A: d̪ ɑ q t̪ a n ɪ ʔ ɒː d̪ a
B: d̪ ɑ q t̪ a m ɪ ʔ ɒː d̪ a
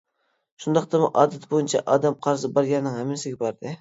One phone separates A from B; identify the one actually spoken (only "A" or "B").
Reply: B